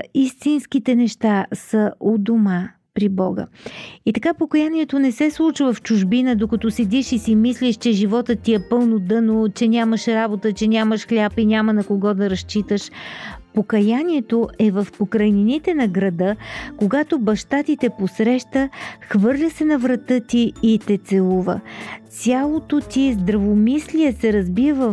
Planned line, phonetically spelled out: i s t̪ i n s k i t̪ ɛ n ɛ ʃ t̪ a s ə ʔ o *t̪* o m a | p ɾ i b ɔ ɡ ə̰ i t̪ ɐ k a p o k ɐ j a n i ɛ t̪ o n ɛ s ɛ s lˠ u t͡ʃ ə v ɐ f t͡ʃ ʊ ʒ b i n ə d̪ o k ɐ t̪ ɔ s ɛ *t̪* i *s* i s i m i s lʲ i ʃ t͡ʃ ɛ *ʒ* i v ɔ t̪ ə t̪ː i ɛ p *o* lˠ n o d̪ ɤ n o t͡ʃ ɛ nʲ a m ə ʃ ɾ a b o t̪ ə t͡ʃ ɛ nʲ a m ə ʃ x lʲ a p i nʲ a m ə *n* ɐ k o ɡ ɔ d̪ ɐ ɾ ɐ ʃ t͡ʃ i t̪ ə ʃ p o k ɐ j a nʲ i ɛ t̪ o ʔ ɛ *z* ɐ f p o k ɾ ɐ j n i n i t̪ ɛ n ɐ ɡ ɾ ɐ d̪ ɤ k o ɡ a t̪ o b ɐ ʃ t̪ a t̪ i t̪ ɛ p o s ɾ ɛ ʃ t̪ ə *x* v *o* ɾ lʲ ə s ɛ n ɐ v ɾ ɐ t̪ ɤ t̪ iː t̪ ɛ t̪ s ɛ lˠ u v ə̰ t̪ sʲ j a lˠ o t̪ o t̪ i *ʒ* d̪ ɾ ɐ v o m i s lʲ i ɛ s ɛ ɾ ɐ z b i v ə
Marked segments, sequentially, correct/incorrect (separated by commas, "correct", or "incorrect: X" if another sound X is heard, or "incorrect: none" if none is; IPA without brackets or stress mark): incorrect: d̪, incorrect: d̪, incorrect: ʃ, correct, incorrect: ɤ, correct, incorrect: v, correct, incorrect: ɤ, incorrect: z